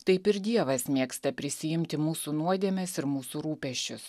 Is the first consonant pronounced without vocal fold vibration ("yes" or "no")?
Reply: yes